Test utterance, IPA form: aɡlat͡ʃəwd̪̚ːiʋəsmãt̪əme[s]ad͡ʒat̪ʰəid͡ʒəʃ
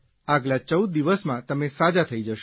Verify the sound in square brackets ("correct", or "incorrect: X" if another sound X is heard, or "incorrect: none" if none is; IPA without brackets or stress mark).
correct